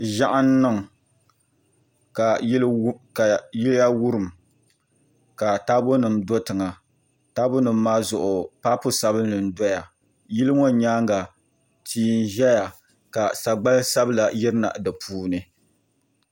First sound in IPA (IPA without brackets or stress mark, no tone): ʒ